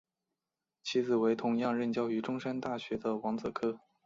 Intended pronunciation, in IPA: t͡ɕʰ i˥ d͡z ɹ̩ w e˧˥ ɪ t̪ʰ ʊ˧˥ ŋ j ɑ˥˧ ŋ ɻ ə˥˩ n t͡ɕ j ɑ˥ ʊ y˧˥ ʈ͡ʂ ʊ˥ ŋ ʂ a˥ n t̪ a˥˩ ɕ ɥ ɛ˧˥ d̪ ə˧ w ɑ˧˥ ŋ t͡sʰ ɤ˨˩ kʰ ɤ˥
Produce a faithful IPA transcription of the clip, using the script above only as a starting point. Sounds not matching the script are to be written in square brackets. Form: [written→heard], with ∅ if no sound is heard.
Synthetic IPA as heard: t͡ɕʰ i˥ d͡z ɹ̩ w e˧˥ ɪ t̪ʰ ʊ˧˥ ŋ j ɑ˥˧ ŋ ɻ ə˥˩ n t͡ɕ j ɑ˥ ʊ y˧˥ ʈ͡ʂ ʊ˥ ŋ ʂ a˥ n t̪ a˥˩ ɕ ɥ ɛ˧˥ d̪ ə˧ w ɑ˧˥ ŋ [t͡sʰ→t͡s] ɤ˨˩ kʰ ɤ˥